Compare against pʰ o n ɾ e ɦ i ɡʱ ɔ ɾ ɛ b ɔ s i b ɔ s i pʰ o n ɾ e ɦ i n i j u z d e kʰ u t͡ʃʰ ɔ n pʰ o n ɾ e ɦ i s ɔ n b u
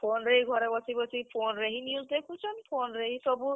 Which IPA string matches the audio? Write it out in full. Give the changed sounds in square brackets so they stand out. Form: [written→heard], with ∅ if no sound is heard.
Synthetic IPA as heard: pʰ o n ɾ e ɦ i ɡʱ ɔ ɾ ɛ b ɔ s i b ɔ s i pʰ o n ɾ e ɦ i n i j u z d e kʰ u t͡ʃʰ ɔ n pʰ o n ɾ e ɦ i s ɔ [n→∅] b u